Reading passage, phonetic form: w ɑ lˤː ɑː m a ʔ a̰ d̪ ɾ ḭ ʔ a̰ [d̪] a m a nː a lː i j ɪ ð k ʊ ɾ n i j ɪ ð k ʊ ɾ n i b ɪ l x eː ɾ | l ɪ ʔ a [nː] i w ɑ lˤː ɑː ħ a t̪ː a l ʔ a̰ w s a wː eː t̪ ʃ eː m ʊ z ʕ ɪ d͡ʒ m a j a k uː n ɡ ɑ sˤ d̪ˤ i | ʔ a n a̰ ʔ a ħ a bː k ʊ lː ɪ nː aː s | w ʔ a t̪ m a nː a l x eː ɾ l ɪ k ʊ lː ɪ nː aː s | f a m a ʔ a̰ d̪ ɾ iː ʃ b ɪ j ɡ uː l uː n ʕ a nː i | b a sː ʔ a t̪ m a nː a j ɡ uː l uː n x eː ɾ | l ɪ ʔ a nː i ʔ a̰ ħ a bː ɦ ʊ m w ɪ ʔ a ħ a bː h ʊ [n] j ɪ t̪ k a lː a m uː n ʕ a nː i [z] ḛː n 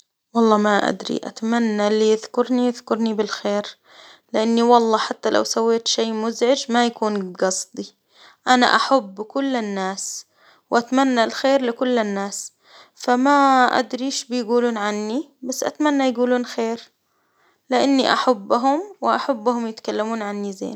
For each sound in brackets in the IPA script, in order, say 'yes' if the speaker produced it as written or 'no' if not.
no, yes, no, yes

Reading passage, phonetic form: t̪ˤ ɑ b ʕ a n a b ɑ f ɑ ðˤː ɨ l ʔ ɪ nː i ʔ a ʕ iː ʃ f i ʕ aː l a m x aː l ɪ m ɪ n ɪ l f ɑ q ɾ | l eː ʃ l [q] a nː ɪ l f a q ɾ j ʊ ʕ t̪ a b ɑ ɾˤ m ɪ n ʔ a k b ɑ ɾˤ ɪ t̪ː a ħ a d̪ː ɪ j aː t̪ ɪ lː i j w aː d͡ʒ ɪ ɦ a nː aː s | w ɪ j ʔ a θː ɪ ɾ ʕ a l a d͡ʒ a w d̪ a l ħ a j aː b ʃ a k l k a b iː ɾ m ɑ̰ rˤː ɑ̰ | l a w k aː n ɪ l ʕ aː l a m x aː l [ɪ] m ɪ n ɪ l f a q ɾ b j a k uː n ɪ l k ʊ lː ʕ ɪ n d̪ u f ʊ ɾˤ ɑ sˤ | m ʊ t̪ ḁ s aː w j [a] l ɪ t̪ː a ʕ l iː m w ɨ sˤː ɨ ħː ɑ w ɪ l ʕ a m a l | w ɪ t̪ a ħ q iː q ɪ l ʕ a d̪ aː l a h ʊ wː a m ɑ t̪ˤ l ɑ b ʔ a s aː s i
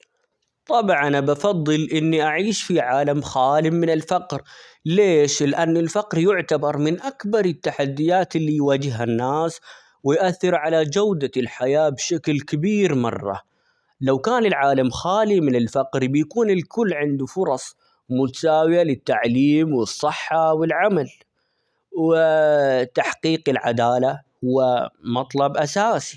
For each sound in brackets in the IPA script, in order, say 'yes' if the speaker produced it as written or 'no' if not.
no, no, yes

